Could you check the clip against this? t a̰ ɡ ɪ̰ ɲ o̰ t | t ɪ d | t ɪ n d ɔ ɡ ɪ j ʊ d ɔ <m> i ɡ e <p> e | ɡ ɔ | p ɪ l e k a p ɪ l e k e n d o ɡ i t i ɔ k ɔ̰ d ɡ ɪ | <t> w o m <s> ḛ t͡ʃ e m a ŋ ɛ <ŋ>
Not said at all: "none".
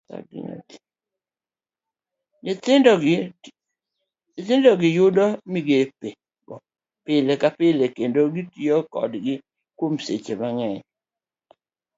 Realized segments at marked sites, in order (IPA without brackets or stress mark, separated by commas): m, p, k, s, ɲ